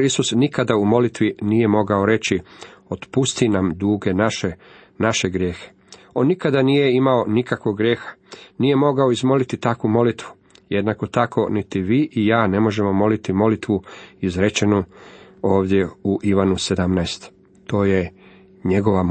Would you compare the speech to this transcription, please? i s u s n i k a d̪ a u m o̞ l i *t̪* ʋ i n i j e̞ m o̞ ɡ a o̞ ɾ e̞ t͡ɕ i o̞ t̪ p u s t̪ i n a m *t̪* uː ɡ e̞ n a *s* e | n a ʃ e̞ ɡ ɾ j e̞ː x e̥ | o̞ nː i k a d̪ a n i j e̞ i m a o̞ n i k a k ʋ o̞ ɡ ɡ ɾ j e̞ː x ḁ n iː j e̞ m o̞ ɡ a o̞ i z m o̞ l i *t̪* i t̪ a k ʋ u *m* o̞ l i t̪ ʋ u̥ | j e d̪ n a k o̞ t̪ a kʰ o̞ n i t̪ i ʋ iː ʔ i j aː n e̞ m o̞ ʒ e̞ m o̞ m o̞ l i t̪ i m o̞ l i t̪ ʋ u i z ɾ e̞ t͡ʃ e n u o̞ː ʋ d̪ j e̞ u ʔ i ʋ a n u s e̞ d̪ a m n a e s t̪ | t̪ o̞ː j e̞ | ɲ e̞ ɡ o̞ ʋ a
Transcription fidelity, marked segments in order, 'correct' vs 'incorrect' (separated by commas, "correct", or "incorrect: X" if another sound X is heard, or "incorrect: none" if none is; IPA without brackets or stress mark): correct, incorrect: d̪, incorrect: ʃ, correct, correct